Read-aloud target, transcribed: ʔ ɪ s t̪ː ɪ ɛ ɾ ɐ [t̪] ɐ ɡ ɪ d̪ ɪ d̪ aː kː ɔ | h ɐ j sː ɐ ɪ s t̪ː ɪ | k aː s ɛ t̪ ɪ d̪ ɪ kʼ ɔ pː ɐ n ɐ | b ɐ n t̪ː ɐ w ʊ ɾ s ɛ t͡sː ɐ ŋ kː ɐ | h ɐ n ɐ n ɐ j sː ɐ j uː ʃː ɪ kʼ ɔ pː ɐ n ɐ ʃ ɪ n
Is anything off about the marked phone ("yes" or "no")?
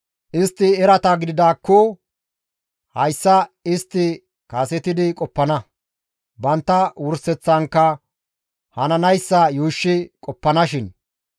no